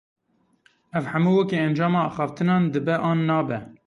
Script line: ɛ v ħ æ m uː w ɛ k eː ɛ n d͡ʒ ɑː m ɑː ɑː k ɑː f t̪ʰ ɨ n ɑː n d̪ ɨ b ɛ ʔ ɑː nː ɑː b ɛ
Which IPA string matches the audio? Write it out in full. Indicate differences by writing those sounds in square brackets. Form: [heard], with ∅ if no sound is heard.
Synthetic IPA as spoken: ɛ v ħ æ m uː w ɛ k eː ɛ n d͡ʒ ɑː m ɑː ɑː [x] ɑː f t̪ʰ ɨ n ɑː n d̪ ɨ b ɛ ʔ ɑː nː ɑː b ɛ

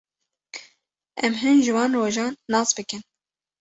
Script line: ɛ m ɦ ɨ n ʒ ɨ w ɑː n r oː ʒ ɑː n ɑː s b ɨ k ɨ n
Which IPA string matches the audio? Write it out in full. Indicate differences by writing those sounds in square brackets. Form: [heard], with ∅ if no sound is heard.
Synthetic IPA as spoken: ɛ m ɦ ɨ n ʒ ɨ w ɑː n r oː ʒ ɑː [nː] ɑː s b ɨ k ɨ n

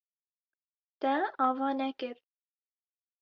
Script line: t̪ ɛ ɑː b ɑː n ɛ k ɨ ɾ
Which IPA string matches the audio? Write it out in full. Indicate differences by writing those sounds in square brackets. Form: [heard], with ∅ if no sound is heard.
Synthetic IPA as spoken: t̪ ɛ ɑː [v] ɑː n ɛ k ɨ ɾ

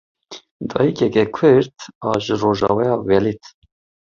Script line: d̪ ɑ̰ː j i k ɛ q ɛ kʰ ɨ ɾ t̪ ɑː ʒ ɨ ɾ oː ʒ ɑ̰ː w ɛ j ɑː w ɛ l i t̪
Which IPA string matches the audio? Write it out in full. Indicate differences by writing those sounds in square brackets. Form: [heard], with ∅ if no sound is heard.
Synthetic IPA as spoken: d̪ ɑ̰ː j i k ɛ [k] ɛ kʰ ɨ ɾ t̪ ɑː ʒ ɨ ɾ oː ʒ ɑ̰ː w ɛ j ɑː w ɛ l i t̪

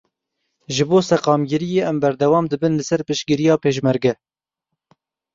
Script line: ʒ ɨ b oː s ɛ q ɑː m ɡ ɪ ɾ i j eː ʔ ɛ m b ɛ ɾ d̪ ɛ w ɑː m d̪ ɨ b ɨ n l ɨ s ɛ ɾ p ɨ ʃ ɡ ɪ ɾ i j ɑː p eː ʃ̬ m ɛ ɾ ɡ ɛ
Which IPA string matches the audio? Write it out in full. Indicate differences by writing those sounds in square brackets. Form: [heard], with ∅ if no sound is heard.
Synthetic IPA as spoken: ʒ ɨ b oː s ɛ q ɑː m ɡ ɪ ɾ i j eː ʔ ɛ m b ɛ ɾ d̪ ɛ w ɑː m d̪ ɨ b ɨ n l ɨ s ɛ ɾ p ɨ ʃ ɡ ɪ ɾ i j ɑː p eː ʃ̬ m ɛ ɾ ɡ ɛ

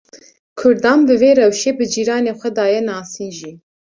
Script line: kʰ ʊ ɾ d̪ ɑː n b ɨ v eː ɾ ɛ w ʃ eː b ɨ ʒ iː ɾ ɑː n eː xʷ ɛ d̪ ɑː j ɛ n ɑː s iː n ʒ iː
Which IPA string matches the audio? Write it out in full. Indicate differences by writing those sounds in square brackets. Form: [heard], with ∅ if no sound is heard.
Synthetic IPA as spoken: kʰ ʊ ɾ d̪ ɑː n b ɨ v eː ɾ ɛ w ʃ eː b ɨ [d͡ʒ] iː ɾ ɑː n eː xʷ ɛ d̪ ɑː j ɛ n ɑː s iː n ʒ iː

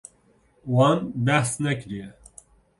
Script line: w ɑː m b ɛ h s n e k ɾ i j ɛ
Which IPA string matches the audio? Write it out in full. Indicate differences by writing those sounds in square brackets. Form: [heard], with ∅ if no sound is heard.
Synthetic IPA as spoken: w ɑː [n] b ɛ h s n [ɛ] k ɾ i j ɛ

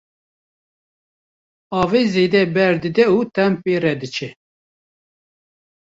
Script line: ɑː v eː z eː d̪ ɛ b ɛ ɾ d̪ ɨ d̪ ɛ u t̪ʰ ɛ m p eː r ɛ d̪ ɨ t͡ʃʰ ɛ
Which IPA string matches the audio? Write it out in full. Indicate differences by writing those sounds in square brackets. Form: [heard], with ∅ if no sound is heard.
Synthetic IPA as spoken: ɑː v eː z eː d̪ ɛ b ɛ ɾ d̪ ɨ d̪ ɛ u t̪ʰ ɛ m p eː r ɛ d̪ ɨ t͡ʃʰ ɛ

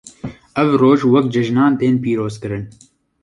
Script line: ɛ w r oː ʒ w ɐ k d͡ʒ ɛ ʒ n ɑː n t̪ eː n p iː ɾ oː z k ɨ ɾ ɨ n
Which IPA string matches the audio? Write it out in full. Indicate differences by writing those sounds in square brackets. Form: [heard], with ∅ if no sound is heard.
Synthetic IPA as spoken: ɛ [v] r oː ʒ w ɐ k d͡ʒ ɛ ʒ n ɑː n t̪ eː n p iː ɾ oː z k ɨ ɾ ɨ n

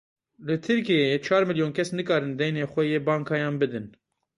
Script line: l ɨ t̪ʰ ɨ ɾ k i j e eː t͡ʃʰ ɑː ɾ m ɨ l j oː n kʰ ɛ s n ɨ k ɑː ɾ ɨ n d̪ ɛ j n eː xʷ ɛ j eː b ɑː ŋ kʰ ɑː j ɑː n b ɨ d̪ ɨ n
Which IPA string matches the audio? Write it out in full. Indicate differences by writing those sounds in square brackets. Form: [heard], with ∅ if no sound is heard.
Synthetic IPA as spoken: l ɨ t̪ʰ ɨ ɾ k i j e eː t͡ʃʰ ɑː ɾ m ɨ l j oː n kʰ ɛ s n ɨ k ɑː ɾ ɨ n d̪ ɛ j n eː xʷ ɛ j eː b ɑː ŋ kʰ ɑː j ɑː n b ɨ d̪ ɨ n

